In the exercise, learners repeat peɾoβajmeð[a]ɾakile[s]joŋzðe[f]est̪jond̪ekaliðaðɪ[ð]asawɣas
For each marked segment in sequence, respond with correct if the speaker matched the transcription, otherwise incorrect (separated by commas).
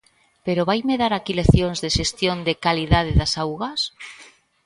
correct, incorrect, incorrect, correct